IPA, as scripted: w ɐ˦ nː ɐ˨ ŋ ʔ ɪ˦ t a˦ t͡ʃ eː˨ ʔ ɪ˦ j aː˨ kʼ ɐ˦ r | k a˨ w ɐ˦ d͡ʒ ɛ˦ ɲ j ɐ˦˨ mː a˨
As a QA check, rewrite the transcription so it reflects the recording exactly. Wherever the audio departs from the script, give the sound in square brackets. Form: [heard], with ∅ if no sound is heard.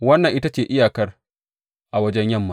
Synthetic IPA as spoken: w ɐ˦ nː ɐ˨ ŋ ʔ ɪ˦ t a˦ t͡ʃ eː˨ ʔ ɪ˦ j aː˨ [k] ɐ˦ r | [ʔ] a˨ w ɐ˦ d͡ʒ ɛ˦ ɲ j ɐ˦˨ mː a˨

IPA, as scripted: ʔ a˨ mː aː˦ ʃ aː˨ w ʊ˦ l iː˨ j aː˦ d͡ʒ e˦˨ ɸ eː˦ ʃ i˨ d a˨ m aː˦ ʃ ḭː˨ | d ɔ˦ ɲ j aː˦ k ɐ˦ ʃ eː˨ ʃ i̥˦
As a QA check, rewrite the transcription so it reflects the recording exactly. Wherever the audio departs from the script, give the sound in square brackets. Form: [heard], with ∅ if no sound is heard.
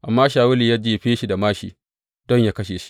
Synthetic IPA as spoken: ʔ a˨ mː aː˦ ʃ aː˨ w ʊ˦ l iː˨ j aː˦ d͡ʒ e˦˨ ɸ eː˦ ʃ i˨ d a˨ m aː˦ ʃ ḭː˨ | d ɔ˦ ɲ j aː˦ k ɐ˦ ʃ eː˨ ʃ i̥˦

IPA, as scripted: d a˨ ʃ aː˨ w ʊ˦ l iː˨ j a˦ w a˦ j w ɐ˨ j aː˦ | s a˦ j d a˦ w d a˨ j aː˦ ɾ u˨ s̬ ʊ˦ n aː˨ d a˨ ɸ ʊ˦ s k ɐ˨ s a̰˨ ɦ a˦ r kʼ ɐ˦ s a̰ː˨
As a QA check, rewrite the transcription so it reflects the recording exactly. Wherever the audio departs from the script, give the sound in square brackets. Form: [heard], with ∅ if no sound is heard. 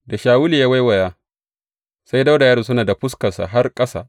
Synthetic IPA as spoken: d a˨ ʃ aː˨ w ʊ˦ l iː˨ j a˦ w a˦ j w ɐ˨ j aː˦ | s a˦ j d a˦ w d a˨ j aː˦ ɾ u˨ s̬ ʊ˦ n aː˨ d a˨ ɸ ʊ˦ s k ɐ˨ s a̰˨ ɦ a˦ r kʼ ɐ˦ s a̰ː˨

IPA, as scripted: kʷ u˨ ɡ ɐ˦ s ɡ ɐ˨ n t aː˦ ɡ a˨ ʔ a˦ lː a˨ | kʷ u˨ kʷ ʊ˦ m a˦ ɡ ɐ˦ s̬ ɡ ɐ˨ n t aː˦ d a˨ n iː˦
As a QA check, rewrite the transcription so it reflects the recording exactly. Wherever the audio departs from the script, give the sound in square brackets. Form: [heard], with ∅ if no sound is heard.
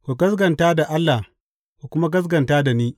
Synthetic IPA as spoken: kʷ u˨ ɡ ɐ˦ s ɡ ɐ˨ n t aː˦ [d] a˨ ʔ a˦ lː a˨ | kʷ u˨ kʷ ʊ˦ m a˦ ɡ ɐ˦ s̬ ɡ ɐ˨ n t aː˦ d a˨ n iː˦

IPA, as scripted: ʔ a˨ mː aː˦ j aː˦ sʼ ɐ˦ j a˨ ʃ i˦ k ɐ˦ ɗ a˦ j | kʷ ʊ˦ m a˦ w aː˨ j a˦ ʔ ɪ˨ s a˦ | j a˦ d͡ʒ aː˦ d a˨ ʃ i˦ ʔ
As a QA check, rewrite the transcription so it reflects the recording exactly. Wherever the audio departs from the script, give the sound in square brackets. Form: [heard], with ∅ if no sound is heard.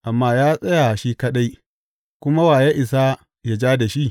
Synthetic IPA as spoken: ʔ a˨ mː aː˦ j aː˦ sʼ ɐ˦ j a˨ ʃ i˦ k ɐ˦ ɗ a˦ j | kʷ ʊ˦ m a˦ w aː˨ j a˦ ʔ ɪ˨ s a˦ | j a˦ d͡ʒ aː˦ d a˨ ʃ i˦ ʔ

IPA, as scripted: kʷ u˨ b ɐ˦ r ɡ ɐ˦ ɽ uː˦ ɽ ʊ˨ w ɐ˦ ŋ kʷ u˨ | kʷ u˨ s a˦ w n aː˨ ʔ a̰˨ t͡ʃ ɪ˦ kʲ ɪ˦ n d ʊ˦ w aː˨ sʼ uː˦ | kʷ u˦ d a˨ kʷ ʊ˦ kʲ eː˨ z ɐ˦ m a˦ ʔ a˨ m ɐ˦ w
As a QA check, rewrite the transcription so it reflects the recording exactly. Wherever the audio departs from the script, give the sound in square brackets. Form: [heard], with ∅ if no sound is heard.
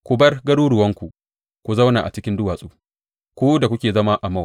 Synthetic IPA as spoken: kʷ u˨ b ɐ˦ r ɡ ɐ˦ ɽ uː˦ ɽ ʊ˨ w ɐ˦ ŋ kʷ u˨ | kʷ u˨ [z] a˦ w n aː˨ ʔ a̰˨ t͡ʃ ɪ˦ kʲ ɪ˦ n d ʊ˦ w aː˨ sʼ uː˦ | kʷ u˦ d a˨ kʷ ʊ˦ kʲ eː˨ z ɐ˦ m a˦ ʔ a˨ m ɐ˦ w

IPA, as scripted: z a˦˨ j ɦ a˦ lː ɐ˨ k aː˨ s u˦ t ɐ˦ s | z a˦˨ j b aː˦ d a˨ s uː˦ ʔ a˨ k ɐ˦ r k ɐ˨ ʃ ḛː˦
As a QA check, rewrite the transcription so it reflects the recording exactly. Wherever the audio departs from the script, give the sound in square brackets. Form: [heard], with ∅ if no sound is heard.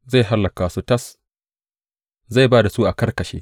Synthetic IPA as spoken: z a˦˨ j ɦ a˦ lː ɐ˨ k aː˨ s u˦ t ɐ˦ s | z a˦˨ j b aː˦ d a˨ s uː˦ ʔ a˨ k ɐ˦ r k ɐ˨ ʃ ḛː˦

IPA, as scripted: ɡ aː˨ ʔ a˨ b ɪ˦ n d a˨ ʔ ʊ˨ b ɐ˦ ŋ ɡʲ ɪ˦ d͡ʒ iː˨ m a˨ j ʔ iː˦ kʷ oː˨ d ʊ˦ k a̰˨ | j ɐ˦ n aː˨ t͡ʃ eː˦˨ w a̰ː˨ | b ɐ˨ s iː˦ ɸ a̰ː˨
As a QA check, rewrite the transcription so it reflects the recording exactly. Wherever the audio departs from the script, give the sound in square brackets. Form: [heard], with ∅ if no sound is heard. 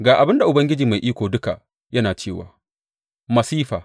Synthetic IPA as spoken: ɡ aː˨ ʔ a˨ b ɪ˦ n d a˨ ʔ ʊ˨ b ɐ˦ ŋ ɡʲ ɪ˦ d͡ʒ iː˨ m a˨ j ʔ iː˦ kʷ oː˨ d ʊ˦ k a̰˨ | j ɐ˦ n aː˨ t͡ʃ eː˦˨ w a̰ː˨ | [m] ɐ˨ s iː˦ ɸ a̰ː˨

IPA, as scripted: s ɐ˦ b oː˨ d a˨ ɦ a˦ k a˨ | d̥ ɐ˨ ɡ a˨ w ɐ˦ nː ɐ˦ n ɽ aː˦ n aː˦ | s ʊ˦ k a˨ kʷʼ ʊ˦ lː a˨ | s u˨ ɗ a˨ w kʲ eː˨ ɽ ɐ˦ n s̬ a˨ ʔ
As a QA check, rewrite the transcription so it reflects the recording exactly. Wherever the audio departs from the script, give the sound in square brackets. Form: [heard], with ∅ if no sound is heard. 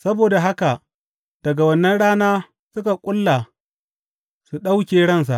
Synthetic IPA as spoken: s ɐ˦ b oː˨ d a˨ ɦ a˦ k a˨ | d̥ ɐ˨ ɡ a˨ w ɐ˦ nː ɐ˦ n ɽ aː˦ n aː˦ | s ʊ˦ k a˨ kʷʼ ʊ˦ lː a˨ | s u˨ ɗ [a˦] w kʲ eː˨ ɽ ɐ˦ n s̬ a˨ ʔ

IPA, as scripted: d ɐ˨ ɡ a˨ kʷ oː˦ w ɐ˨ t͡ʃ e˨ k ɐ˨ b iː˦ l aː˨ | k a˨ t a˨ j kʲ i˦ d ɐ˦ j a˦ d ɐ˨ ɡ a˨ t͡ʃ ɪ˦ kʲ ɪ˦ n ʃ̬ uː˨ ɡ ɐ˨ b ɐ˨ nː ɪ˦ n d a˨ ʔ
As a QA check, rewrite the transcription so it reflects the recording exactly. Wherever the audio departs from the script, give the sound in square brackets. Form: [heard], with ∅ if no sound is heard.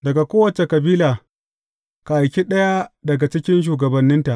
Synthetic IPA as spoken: d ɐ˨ ɡ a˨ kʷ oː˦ w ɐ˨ t͡ʃ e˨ k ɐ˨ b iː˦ l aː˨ | k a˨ [ʔ] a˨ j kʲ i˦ [ɗ] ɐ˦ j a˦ d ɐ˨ ɡ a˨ t͡ʃ ɪ˦ kʲ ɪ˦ n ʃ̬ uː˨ ɡ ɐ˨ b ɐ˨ nː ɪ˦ n [t] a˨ ʔ

